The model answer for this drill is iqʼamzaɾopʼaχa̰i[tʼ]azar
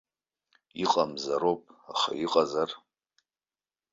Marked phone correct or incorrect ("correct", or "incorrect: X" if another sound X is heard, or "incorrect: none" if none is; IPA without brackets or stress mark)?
incorrect: qʼ